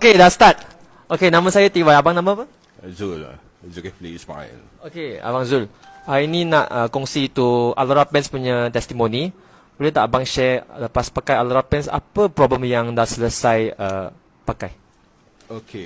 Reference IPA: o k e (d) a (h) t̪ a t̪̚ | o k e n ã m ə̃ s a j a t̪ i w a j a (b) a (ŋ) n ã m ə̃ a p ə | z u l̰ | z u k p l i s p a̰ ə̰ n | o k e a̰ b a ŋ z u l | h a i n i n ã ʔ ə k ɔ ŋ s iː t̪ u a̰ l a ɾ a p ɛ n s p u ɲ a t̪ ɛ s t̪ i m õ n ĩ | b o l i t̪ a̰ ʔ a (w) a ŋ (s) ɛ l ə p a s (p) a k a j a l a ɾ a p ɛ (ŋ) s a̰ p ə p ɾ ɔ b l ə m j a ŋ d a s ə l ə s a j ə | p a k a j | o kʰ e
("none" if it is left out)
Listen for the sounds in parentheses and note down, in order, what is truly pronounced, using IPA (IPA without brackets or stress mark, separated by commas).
d, s, b, ŋ, b, ʃ, p, n